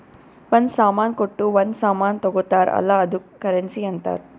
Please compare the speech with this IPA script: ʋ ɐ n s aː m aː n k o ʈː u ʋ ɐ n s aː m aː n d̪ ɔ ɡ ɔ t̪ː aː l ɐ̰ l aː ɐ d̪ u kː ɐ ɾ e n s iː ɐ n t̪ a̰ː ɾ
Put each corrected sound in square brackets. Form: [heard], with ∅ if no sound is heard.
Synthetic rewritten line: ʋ ɐ n s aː m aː n k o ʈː u ʋ ɐ n s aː m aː n [t̪] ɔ ɡ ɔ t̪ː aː [ɾ] ɐ̰ l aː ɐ d̪ u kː ɐ ɾ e n s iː ɐ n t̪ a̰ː ɾ